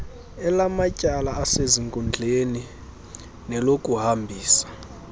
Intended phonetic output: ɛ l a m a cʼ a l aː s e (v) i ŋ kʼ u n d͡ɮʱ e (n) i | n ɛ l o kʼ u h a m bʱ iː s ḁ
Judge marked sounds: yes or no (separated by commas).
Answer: no, yes